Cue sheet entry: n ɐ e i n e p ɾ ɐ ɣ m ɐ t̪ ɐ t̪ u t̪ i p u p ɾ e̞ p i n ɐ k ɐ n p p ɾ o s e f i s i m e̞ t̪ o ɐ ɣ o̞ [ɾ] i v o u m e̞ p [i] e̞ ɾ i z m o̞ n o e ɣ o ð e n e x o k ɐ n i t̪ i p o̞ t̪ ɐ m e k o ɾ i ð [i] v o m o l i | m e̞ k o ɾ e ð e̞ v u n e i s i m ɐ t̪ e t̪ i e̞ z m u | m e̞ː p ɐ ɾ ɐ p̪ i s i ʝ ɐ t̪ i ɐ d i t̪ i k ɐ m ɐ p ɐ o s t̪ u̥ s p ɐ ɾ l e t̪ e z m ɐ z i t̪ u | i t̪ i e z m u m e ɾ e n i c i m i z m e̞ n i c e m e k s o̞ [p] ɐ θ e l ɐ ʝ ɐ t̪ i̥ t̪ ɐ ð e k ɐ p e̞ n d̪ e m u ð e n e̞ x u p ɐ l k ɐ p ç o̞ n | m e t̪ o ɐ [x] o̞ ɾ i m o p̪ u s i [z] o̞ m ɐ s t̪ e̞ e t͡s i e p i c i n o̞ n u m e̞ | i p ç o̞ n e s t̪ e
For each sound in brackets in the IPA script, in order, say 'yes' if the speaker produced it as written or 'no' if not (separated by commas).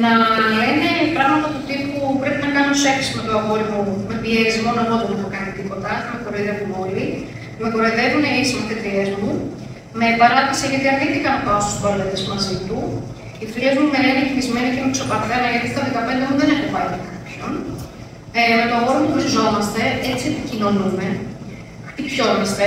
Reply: yes, yes, no, yes, no, yes